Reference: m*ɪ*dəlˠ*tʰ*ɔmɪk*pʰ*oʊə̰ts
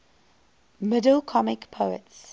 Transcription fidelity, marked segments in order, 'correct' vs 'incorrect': correct, incorrect, correct

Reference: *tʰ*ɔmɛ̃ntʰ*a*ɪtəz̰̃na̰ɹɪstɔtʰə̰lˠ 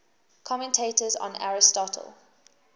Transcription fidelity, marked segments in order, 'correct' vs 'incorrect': incorrect, incorrect

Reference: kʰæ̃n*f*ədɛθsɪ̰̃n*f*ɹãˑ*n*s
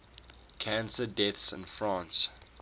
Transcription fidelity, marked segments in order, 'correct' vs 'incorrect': incorrect, correct, correct

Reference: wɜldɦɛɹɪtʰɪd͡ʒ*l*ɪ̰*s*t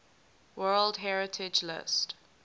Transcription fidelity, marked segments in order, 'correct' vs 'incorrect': correct, correct

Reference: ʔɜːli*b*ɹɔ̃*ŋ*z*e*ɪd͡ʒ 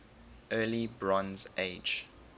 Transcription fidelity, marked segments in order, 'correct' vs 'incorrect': correct, incorrect, correct

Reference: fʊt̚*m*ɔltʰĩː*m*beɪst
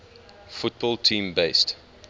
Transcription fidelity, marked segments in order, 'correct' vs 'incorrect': incorrect, correct

